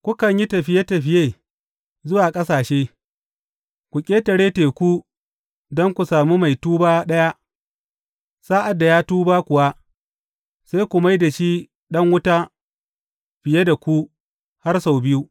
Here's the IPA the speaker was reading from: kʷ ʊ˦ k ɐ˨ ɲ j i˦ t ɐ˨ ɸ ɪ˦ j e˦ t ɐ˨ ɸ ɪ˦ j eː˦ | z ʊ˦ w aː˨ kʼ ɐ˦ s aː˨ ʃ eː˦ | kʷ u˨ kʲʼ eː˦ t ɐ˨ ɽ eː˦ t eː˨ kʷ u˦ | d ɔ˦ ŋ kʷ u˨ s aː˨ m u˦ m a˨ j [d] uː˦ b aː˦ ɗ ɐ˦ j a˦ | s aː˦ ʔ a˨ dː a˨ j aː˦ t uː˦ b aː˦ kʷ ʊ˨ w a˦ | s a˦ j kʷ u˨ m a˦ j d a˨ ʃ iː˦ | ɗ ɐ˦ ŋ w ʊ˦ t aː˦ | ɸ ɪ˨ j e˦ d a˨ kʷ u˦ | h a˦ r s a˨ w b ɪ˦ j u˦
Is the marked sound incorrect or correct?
incorrect